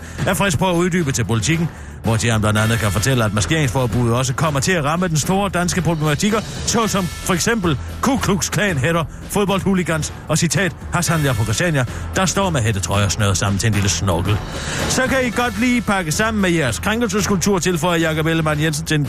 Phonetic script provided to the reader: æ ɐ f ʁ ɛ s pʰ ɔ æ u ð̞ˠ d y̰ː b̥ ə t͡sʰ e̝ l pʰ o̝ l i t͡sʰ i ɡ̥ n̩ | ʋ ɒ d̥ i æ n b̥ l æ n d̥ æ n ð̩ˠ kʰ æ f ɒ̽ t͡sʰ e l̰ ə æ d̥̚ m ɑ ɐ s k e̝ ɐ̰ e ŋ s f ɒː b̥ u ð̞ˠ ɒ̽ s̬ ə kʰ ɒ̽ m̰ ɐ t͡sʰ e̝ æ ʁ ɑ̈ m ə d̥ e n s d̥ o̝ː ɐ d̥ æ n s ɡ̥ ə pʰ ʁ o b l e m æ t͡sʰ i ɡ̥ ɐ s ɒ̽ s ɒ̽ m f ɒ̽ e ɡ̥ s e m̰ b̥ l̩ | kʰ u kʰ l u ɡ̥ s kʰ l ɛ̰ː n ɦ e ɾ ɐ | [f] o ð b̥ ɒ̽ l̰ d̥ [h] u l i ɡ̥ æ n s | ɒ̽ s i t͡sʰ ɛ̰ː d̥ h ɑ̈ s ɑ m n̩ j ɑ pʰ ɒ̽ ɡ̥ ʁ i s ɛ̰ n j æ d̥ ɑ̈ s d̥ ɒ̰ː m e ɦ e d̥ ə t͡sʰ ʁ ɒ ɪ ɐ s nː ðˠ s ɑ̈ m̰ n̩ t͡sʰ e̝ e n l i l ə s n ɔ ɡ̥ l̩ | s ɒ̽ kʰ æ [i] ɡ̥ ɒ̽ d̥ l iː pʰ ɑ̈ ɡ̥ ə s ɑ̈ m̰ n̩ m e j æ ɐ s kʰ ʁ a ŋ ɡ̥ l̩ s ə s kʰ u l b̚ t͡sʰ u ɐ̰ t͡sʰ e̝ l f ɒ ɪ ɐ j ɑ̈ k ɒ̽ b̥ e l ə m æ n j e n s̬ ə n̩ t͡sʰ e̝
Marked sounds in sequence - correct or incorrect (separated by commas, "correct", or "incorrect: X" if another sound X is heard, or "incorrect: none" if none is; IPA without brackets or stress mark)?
correct, correct, correct